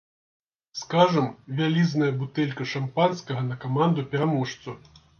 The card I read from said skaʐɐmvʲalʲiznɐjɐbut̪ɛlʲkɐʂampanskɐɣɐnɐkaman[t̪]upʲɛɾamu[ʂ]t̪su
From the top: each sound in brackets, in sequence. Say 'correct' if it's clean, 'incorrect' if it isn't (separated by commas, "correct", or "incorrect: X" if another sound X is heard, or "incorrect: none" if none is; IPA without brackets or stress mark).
incorrect: d̪, correct